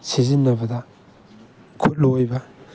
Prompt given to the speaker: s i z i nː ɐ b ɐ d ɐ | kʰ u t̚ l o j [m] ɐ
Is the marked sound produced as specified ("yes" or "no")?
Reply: no